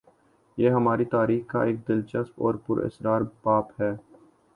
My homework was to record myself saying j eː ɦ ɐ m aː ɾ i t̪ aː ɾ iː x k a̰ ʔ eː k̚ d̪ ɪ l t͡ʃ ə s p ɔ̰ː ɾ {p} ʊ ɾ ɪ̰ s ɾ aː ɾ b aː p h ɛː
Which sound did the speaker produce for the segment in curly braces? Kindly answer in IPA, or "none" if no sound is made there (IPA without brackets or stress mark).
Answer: p